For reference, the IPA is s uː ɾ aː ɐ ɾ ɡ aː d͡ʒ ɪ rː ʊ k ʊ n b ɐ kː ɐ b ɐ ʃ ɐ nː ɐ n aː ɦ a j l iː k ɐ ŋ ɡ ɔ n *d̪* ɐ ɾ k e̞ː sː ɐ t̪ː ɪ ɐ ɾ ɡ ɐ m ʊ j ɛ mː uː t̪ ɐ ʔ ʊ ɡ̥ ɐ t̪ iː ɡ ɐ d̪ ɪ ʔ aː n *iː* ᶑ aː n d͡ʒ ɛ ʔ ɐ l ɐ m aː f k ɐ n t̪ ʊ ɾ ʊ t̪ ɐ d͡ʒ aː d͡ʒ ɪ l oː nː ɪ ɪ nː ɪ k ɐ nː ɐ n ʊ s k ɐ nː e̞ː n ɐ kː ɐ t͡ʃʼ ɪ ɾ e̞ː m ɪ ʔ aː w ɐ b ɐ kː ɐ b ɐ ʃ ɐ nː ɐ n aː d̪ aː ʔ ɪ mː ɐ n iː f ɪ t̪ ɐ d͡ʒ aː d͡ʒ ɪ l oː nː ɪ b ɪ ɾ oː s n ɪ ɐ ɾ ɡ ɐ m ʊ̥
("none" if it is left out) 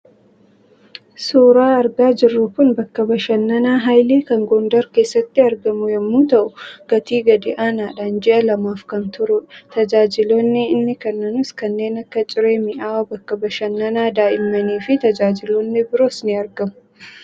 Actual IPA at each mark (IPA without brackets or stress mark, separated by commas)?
d̪, aː